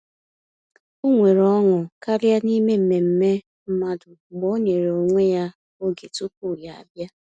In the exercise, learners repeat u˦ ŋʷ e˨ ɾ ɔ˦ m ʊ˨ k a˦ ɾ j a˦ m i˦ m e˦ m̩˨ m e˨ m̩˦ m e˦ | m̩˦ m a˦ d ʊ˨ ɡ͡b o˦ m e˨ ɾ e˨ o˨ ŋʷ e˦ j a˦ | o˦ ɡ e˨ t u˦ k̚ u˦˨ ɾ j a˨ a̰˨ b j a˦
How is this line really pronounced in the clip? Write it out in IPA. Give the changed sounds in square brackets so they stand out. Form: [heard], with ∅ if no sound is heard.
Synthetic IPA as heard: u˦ ŋʷ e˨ ɾ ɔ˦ [ŋ] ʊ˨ k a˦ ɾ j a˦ [n] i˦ m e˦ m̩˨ m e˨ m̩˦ m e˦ | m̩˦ m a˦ d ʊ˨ ɡ͡b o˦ [ɲ] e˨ ɾ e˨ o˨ ŋʷ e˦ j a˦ | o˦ ɡ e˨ t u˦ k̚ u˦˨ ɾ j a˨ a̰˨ b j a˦